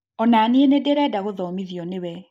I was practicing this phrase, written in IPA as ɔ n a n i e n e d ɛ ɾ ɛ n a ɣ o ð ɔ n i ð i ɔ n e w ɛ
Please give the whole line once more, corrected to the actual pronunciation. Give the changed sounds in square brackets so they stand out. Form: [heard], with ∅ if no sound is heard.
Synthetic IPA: ɔ n a n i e n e d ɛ ɾ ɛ [d] a ɣ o ð ɔ [m] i ð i ɔ n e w ɛ

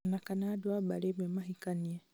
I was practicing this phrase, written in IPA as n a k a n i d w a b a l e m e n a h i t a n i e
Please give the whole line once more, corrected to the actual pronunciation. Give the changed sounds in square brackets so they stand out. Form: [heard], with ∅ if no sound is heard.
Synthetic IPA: n a k a n [a] d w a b a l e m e [m] a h i [k] a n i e

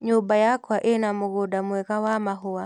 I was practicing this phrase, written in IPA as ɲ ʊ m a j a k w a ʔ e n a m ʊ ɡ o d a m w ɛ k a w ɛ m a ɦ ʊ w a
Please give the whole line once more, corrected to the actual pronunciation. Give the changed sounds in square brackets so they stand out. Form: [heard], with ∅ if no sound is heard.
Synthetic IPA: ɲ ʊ [b] a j a k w a ʔ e n a m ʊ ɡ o d a m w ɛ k a w [a] m a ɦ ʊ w a

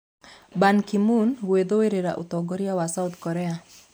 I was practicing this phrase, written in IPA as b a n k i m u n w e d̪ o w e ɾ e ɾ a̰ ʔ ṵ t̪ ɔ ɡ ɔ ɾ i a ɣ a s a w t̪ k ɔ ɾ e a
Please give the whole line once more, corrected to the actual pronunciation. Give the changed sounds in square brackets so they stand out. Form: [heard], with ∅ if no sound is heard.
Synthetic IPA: b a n k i m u n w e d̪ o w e ɾ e ɾ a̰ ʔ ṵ t̪ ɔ ɡ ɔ ɾ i a [w] a s a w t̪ k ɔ ɾ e a

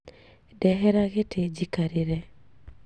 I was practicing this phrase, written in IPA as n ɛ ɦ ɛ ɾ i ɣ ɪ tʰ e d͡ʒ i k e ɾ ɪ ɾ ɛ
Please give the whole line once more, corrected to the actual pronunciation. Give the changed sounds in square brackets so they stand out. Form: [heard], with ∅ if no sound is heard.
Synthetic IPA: [d] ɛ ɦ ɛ ɾ [a] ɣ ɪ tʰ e d͡ʒ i k [a] ɾ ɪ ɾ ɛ

